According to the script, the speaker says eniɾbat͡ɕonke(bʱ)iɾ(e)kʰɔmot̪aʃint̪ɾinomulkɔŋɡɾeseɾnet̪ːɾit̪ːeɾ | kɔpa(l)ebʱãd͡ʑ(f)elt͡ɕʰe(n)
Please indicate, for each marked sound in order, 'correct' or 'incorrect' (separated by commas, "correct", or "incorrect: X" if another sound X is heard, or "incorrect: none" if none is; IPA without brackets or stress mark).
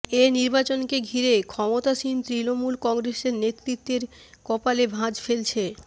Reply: incorrect: ɡʱ, correct, correct, correct, incorrect: none